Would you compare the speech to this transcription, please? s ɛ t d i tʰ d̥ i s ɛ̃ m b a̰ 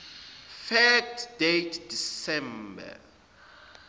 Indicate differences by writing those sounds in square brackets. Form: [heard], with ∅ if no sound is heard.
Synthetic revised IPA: [f] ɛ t d [e] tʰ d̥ i s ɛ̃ m b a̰